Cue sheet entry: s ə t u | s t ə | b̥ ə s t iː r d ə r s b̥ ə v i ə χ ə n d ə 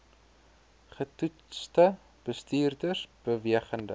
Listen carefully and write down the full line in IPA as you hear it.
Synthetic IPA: χ ə t u | s t ə | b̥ ə s t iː r d ə r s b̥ ə v i ə χ ə n d ə